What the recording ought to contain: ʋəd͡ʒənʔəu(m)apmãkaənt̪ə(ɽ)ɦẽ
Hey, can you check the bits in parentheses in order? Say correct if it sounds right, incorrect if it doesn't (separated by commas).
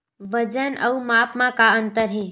correct, incorrect